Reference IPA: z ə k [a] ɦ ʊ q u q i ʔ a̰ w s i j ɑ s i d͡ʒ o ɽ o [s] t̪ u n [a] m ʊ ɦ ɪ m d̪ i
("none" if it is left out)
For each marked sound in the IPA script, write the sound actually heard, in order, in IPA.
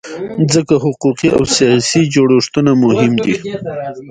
a, ʂ, a

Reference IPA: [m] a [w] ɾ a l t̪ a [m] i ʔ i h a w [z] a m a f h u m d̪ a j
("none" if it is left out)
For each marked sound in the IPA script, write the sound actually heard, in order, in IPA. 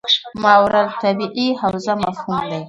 m, w, b, z

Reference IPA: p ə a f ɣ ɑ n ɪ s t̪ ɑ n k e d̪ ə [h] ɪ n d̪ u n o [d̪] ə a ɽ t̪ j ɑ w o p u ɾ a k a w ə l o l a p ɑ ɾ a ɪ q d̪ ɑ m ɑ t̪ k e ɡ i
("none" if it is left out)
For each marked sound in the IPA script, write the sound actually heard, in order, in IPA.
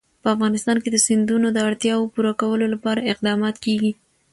s, d̪

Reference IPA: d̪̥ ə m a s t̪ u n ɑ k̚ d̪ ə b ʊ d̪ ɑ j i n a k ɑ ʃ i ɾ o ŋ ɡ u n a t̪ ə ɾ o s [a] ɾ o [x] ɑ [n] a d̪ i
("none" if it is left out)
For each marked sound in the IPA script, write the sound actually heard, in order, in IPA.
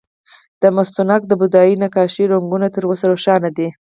a, ʃ, n

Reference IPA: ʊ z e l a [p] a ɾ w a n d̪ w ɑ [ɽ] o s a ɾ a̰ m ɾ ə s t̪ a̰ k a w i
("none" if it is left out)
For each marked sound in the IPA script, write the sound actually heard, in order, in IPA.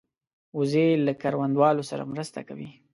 k, l

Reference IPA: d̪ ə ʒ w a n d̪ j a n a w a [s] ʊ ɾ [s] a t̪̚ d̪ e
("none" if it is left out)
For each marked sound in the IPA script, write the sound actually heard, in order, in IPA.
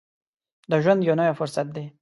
f, s

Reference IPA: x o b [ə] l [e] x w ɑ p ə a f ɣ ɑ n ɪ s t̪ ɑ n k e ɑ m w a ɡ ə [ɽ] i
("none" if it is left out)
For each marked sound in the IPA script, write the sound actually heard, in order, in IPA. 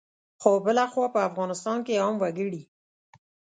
ə, a, ɽ

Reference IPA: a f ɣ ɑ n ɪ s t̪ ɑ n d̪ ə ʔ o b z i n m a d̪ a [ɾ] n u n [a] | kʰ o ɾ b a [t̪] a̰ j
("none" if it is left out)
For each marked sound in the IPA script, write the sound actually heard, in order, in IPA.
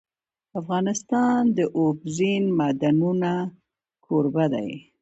none, a, d̪

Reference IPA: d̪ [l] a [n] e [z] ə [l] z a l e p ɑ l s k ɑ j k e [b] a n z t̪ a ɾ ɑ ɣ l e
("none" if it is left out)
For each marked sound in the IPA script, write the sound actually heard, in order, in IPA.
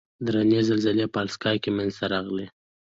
ɾ, n, z, l, m

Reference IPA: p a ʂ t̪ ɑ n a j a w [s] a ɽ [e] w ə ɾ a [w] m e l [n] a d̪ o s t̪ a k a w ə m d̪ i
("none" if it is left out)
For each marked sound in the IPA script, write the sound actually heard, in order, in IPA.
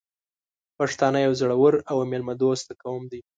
z, a, w, m

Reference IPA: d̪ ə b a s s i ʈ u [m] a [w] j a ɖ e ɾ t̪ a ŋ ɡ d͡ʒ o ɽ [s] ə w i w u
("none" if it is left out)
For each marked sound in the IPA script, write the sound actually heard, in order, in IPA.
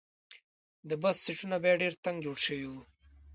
n, b, ʃ

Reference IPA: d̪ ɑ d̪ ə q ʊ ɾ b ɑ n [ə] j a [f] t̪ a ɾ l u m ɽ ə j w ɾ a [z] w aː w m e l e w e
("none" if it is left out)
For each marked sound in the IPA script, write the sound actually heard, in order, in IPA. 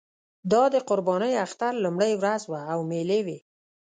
ə, x, z

